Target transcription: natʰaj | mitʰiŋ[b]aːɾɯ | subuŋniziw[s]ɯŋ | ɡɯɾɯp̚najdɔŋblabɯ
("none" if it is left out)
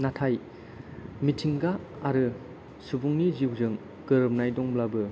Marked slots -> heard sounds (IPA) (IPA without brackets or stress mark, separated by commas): ɡ, z